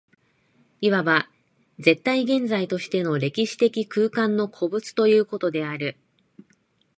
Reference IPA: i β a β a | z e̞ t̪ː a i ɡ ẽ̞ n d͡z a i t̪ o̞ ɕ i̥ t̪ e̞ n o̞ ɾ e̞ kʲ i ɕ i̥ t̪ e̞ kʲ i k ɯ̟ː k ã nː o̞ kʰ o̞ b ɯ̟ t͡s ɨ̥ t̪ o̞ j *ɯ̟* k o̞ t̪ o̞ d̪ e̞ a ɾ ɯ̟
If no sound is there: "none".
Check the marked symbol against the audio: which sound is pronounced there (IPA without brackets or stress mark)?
ɯ̟ː